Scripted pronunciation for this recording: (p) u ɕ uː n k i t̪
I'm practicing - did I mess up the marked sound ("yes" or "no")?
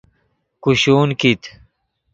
yes